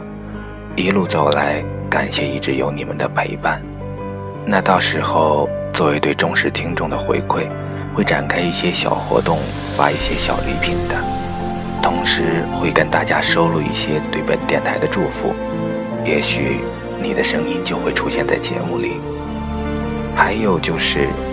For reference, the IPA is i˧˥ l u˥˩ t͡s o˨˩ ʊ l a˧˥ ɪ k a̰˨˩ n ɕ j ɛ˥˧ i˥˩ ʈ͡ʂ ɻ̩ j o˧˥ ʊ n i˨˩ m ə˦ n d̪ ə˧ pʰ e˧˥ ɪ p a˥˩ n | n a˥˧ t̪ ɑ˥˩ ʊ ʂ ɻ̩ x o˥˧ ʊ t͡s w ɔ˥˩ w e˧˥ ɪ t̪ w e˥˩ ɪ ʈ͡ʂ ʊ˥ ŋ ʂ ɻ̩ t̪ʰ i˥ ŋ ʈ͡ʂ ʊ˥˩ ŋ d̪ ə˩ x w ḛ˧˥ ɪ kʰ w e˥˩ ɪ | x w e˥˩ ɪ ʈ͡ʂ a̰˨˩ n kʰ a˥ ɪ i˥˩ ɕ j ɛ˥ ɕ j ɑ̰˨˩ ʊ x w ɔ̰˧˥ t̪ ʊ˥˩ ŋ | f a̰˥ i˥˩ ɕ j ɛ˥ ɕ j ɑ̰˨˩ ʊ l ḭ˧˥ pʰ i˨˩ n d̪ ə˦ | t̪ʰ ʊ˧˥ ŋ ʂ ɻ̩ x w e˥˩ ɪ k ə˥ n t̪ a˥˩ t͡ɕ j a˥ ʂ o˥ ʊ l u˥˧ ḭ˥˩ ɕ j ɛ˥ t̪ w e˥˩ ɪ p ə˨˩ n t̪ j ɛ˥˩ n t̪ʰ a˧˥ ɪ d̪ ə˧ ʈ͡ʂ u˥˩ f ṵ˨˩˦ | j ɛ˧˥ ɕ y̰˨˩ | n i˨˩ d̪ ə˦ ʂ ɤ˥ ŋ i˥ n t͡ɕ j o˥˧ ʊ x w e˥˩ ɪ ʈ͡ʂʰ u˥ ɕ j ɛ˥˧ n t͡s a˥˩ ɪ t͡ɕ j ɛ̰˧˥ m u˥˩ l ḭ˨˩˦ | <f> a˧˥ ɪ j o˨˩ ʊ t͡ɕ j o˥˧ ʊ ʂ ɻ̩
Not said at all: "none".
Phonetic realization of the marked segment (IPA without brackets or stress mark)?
x